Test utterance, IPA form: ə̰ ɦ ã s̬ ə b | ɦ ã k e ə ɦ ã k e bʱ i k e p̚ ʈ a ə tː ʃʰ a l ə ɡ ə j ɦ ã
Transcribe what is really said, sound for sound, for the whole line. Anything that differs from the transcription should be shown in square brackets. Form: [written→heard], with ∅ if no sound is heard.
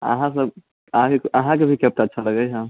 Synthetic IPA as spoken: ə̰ ɦ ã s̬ ə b | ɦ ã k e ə ɦ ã k e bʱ i k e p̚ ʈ a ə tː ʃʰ a l ə ɡ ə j ɦ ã